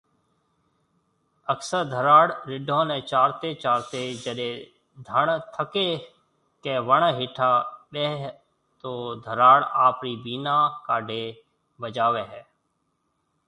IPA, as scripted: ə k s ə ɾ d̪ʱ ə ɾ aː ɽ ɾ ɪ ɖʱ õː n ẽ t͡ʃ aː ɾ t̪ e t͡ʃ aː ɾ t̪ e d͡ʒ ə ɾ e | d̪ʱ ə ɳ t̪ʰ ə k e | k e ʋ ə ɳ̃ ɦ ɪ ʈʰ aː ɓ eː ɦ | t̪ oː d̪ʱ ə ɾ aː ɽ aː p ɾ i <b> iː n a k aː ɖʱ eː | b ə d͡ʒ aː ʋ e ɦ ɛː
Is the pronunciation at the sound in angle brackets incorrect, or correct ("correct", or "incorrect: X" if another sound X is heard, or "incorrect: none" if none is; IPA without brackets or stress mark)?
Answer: correct